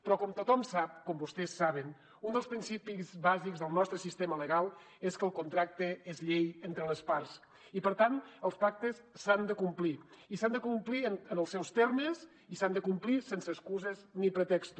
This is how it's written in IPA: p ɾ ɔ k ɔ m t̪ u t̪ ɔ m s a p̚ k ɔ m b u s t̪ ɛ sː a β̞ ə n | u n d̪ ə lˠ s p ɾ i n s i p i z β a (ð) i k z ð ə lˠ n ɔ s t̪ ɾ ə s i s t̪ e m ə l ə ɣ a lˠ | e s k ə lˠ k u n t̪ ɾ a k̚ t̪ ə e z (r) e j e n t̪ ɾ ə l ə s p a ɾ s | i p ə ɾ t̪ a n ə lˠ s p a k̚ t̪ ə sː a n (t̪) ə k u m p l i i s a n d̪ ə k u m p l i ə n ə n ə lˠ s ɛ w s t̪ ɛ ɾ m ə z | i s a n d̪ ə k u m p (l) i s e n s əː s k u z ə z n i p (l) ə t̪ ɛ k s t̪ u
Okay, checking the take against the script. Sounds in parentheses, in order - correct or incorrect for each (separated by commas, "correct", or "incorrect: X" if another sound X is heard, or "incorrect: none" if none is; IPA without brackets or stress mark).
incorrect: z, incorrect: ʎ, incorrect: d̪, correct, incorrect: ɾ